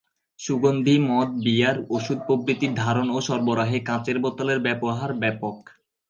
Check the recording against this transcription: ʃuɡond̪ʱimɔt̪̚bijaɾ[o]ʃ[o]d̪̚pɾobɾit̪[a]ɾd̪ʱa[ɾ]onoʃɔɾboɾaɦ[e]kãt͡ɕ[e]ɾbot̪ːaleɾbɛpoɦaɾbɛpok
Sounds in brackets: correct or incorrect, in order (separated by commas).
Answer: correct, incorrect, incorrect, correct, correct, correct